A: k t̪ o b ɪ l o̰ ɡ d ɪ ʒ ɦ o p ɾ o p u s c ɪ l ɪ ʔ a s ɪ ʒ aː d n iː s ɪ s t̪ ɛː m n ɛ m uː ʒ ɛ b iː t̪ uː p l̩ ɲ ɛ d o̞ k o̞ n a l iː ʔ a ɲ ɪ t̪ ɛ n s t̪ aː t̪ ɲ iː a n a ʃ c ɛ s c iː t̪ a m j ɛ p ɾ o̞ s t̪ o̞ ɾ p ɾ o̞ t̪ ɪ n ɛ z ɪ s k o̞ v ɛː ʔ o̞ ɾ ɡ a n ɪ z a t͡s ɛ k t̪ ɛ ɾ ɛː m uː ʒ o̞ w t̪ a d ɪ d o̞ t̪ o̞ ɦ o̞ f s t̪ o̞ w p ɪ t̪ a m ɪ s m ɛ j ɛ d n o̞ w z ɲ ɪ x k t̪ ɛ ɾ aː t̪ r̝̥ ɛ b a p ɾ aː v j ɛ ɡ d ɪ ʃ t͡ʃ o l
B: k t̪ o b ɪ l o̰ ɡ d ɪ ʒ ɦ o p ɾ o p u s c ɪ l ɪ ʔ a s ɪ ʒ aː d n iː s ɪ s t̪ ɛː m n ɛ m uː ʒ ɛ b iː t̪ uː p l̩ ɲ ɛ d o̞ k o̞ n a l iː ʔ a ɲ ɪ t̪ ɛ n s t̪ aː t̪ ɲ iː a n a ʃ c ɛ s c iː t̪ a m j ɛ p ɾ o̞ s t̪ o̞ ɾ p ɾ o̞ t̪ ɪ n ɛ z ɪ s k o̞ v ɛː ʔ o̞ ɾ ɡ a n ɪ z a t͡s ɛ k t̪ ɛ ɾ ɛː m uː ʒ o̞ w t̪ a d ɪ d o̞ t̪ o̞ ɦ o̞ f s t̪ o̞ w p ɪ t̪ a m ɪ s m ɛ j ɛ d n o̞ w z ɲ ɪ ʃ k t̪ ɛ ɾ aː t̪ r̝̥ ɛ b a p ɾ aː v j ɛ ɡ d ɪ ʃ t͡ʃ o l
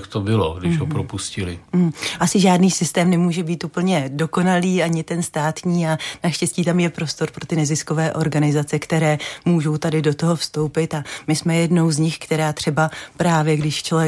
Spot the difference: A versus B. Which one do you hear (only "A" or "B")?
A